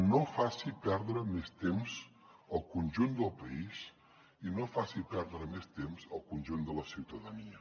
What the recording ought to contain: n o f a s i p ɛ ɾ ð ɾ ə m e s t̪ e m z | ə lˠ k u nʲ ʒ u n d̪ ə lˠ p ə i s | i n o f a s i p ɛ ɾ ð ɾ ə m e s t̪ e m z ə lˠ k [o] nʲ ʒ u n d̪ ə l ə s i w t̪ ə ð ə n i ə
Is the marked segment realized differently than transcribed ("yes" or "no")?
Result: yes